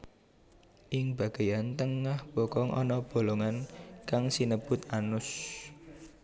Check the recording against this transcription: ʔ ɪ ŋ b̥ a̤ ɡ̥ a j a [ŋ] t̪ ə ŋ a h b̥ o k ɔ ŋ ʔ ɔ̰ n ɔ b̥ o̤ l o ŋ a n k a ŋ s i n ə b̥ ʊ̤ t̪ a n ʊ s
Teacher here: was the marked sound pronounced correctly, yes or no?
no